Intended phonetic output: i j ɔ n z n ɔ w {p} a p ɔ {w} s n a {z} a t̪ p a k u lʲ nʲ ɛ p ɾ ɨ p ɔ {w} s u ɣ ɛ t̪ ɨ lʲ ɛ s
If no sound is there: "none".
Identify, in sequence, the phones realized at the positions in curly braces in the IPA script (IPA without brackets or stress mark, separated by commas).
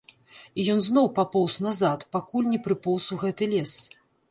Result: p, w, z, w